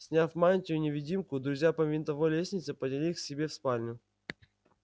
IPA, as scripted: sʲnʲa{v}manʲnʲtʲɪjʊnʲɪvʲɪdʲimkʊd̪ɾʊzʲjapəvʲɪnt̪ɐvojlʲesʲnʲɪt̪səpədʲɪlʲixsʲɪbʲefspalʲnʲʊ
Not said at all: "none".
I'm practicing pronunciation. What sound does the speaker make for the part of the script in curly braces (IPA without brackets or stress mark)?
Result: f